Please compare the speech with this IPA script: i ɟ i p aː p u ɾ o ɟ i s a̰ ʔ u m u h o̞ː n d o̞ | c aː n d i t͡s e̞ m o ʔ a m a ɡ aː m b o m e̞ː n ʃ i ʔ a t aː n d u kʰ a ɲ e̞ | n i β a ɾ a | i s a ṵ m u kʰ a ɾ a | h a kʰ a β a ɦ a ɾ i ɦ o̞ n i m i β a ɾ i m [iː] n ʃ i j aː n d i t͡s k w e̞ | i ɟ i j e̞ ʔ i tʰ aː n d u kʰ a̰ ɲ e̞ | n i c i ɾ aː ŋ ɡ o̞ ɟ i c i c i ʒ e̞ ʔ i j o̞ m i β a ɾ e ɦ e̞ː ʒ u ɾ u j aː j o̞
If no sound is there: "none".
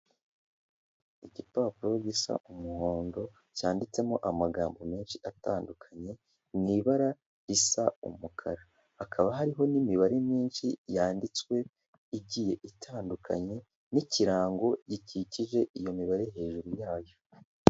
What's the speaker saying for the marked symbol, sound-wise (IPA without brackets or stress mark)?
iː